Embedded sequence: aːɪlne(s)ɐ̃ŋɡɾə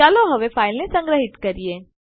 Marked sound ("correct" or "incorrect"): correct